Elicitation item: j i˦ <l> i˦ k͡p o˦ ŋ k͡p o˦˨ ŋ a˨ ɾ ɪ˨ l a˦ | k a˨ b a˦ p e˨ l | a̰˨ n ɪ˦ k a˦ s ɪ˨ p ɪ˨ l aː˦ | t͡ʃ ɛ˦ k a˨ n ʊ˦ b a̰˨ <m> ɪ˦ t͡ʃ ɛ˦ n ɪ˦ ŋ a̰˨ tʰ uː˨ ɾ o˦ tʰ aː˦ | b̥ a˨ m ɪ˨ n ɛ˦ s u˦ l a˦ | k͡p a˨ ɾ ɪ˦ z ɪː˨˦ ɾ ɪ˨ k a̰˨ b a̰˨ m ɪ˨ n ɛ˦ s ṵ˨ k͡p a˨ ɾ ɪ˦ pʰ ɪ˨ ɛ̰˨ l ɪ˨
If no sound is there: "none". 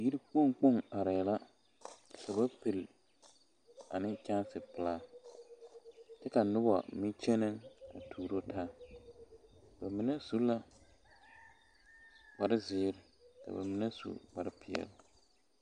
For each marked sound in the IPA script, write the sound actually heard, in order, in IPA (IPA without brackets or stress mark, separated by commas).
ɾ, m